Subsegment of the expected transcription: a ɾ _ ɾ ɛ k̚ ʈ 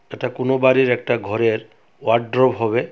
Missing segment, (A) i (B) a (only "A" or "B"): A